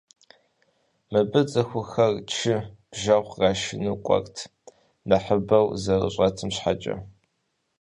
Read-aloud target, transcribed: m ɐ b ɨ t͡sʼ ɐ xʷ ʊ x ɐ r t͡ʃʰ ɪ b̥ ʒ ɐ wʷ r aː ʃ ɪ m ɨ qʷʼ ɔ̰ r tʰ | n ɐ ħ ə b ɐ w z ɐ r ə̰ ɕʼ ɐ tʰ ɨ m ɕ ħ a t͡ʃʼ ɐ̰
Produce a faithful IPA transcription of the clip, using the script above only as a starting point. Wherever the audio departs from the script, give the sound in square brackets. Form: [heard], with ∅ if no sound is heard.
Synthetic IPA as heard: m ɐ b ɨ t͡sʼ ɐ xʷ ʊ x ɐ r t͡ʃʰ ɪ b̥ ʒ ɐ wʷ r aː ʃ ɪ [n] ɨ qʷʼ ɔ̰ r tʰ | n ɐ ħ ə b ɐ w z ɐ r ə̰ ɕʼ ɐ tʰ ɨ m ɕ ħ a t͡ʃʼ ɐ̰